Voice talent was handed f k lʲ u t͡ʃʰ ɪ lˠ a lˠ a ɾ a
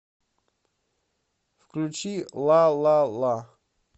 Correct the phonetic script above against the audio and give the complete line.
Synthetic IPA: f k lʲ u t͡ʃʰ i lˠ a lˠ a l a